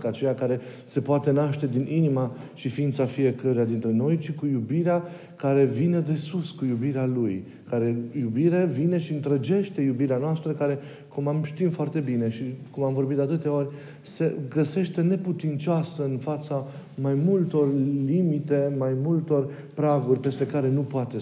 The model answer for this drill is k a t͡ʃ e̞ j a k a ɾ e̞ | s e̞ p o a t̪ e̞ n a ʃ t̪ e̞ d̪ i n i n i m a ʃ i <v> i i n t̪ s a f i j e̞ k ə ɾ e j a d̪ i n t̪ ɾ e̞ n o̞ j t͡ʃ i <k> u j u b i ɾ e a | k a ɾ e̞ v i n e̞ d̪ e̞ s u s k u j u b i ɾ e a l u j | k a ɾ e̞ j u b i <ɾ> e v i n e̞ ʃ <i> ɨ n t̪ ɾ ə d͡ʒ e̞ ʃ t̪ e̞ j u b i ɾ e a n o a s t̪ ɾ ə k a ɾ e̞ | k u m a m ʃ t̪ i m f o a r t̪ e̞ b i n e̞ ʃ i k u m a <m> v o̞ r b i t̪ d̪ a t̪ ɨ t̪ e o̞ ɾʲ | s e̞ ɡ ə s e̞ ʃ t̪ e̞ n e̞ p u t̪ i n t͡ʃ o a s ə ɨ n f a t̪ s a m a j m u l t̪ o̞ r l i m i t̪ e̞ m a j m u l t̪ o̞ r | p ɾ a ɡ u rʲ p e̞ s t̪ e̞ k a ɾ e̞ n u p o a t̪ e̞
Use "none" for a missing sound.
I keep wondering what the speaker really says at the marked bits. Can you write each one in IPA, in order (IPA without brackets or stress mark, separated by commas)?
f, k, ɾ, i, m